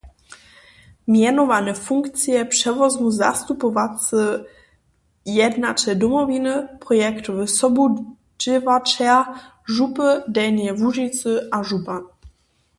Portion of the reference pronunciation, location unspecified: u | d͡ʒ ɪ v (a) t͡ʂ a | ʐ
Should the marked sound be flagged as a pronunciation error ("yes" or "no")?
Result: no